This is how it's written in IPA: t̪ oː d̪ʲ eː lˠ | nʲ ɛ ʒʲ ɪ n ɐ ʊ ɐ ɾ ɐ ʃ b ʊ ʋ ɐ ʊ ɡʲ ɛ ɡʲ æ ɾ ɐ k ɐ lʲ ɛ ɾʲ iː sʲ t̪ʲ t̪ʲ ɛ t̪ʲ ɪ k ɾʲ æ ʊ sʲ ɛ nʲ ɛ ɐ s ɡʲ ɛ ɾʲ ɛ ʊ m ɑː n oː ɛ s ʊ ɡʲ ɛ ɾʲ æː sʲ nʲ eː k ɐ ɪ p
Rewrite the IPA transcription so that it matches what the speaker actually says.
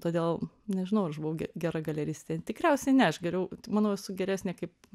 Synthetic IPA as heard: t̪ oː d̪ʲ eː lˠ | nʲ ɛ ʒʲ ɪ n ɐ ʊ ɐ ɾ ɐ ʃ b ʊ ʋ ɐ ʊ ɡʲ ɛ ɡʲ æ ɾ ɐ ɡ ɐ lʲ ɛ ɾʲ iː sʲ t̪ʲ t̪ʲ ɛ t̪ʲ ɪ k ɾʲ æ ʊ sʲ ɛ nʲ ɛ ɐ ʃ ɡʲ ɛ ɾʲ ɛ ʊ m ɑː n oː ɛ s ʊ ɡʲ ɛ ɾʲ æː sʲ nʲ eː k ɐ ɪ p